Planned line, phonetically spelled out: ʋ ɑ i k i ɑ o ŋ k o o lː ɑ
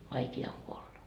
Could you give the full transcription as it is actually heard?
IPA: ʋ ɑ i k i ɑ o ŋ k u o lː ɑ

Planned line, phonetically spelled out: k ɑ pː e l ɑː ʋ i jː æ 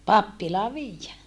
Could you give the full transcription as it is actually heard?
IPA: p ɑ pː i l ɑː ʋ iː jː æ

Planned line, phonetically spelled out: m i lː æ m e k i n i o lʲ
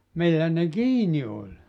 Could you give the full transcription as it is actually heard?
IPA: m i lː æ n e k iː n i o lʲ

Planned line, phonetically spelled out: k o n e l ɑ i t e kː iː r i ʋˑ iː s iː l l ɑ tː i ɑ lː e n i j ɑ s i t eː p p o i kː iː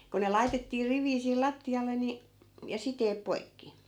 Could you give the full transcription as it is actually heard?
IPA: k o n e l ɑ i t e tː iː r i ʋˑ iː s iː l l ɑ tː i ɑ lː e n i j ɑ s i t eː p p o i kː i

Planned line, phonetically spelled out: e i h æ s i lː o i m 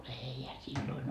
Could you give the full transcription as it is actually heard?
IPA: e i h æ s i lː o i n

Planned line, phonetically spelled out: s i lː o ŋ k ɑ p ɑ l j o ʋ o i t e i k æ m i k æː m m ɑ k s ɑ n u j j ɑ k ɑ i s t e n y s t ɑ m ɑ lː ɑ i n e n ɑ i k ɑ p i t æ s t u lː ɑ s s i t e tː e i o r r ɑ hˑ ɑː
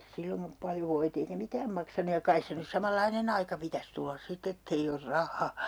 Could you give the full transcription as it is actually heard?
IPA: s i lː o ŋ k ɑ p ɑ l j o ʋ o i t e i k æ m i k æː m m ɑ k s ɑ n u j j ɑ k ɑ i s s e n y s s ɑ m ɑ lː ɑ i n e n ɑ i k ɑ p i t æ s t u lː ɑ s s i t e tː e i o r r ɑ hˑ ɑː

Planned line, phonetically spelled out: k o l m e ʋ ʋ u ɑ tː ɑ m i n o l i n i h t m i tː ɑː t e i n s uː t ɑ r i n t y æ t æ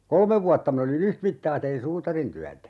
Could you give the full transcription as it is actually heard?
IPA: k o l m e ʋ ʋ u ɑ tː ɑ m i n o l i n y h t m i tː ɑː t e i n s uː t ɑ r i n t y æ t æ

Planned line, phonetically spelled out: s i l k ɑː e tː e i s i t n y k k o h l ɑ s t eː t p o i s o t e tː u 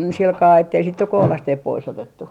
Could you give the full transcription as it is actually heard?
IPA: s i l k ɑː e tː e i s i t n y k k o h l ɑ s t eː p p o i s o t e tː u

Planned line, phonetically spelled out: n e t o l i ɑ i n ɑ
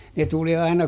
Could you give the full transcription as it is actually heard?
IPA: n e t u l i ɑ i n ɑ

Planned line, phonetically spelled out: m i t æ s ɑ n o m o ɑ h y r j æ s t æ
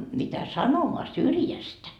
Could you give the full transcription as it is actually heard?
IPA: m i t æ s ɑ n o m o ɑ s y r j æ s t æ

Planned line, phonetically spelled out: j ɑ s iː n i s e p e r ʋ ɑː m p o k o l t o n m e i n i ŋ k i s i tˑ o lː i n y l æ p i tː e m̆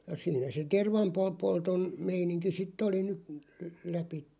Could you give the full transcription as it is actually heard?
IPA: j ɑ s iː n æ s e t e r ʋ ɑ m p o p o l t o n m e i n i ŋ k i s i tˑ o l i n y l æ p i tː e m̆

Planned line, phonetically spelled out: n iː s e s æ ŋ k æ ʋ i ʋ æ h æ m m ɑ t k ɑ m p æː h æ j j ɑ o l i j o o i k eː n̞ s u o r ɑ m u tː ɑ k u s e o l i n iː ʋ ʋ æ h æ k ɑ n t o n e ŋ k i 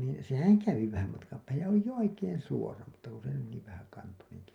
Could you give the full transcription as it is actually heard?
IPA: n iː s e h æ ŋ k æ ʋ i ʋ æ h æ m m ɑ t k ɑ m p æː h æ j j ɑ o l i j o o i k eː n̞ s u o r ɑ m u tː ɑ k u s e o l i n iː ʋ ʋ æ h æ k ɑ n t o n e ŋ k i

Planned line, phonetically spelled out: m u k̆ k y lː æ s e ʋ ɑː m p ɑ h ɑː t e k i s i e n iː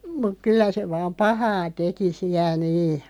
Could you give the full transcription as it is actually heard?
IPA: m u k̆ k y lː æ s e ʋ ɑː m p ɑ h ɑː t e k i s i æ n iː

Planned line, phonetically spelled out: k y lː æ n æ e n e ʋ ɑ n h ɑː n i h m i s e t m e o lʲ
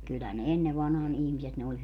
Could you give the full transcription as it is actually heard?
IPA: k y lː æ n e e nː e ʋ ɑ n h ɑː n i h m i s e t n e o lʲ

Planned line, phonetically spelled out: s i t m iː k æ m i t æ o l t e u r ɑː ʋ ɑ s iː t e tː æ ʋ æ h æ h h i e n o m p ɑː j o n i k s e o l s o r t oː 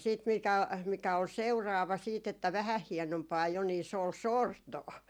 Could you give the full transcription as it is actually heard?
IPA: s iː t m i k æ m i k æ o l s e u r ɑː ʋ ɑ s iː t e tː æ ʋ æ h æ h h i e n o m p ɑː j o n i s e o l s o r t oː

